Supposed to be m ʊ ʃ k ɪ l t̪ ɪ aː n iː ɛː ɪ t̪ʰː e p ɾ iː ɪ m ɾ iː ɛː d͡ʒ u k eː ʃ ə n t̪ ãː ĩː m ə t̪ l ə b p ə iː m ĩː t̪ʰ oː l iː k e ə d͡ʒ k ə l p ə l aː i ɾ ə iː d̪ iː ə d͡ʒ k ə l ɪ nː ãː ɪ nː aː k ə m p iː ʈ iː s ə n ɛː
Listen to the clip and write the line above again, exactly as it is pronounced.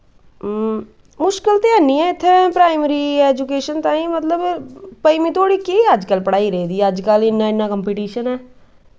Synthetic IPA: m ʊ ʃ k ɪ l t̪ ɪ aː n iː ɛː ɪ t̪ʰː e p ɾ aː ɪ m ɾ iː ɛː d͡ʒ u k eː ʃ ə n t̪ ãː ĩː m ə t̪ l ə b p ə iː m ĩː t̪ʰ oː ɽ iː k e ə d͡ʒ k ə l p ə ɽ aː i ɾ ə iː d̪ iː ə d͡ʒ k ə l ɪ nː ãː ɪ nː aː k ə m p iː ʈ iː ʃ ə n ɛː